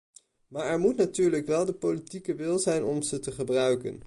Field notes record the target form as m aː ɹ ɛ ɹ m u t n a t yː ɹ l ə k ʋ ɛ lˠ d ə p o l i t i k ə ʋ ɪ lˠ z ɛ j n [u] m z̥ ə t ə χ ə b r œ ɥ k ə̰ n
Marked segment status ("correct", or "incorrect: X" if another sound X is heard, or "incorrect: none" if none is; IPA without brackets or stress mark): incorrect: ɔ